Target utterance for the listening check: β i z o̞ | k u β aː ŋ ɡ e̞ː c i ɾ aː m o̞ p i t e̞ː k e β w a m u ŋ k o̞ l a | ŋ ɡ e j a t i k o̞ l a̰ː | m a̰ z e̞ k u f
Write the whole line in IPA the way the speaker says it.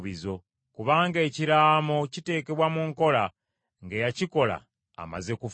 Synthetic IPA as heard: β i z o̞ | k u β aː ŋ ɡ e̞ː c i ɾ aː m o̞ c i t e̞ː k e β w a m u ŋ k o̞ l a | ŋ ɡ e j a c i k o̞ l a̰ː | m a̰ z e̞ k u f